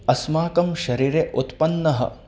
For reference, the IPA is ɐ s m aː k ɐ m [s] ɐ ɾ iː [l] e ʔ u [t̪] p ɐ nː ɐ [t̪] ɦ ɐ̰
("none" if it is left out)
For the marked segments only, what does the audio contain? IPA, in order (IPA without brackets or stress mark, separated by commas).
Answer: ʃ, ɾ, t̪, none